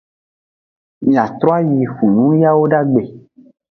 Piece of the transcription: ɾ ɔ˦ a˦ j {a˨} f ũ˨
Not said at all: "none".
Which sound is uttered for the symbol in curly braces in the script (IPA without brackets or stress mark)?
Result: i˨